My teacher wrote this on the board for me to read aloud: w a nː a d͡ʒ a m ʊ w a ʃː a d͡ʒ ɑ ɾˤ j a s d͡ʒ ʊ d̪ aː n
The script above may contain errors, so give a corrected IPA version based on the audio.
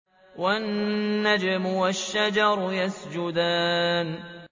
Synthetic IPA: w a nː a d͡ʒ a m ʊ w a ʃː a d͡ʒ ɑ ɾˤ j a s d͡ʒ ʊ d̪ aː n